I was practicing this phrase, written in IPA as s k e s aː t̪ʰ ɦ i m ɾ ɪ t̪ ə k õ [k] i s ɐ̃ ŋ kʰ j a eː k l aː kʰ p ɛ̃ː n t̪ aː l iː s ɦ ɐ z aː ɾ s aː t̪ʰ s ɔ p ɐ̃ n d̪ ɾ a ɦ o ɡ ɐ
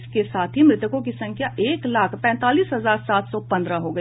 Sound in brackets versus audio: correct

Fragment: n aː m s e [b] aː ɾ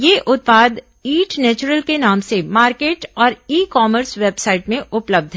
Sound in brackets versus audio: incorrect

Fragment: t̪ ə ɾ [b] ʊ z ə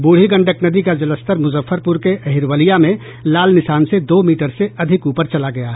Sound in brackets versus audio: incorrect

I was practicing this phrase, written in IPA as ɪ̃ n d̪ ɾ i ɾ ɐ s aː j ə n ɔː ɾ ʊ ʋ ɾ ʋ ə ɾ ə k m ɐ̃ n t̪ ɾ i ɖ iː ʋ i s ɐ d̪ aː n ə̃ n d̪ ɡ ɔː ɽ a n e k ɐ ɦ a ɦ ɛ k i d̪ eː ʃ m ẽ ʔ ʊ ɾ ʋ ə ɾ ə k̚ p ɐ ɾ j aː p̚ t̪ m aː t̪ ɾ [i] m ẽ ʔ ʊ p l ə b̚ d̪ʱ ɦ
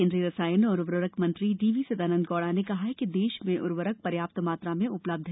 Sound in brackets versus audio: incorrect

